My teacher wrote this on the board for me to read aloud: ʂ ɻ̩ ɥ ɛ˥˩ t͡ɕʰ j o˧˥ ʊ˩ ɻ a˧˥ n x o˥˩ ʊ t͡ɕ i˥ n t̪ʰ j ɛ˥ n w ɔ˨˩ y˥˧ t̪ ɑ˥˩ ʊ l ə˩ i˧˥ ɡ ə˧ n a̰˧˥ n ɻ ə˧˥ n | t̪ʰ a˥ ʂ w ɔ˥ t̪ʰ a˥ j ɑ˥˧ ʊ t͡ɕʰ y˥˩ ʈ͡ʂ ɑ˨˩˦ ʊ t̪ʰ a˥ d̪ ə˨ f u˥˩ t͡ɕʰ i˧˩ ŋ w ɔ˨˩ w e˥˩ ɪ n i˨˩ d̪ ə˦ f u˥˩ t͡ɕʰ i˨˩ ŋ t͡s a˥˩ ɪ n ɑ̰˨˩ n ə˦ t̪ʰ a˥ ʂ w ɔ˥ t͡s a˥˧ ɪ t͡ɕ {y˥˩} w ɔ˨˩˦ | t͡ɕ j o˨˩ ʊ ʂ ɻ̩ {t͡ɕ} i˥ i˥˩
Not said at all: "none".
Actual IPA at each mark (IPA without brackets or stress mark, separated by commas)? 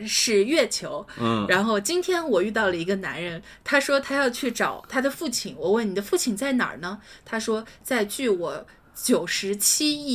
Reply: y˥˩, t͡ɕʰ